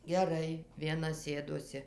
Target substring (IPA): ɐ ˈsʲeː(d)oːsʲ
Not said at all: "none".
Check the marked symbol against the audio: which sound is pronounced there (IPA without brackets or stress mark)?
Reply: d